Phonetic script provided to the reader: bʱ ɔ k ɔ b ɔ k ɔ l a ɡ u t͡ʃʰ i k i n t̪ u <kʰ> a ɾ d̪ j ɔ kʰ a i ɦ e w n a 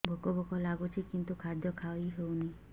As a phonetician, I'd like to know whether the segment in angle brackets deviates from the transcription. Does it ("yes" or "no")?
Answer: no